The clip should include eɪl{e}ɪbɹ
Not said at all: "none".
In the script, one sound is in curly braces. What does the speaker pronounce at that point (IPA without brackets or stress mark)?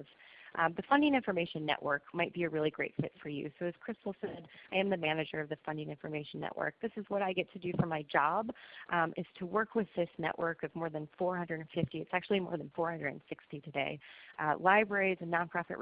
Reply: a